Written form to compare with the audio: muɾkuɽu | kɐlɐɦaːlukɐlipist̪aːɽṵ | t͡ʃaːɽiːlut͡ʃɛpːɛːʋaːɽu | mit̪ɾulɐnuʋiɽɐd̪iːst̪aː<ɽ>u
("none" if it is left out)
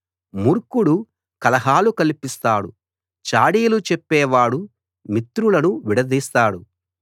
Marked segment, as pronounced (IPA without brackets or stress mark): ɽ